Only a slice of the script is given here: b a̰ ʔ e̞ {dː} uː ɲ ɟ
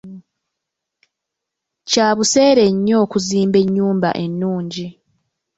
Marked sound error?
yes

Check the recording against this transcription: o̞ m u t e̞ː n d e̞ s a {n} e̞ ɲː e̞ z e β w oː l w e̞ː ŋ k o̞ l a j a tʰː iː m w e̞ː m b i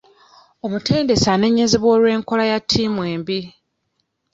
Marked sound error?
no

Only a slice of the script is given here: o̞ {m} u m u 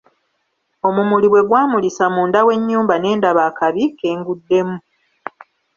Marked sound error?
no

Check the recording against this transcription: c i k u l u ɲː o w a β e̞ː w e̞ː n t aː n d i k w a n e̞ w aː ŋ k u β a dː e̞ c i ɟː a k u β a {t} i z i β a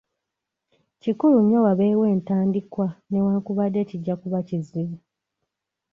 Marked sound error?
yes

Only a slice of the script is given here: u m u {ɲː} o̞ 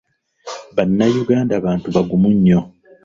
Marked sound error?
no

